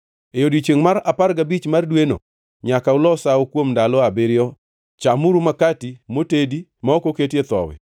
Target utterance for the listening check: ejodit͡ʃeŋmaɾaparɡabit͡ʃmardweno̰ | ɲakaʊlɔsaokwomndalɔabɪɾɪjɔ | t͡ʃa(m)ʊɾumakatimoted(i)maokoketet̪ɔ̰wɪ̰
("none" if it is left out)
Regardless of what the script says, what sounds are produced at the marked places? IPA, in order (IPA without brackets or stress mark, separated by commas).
m, i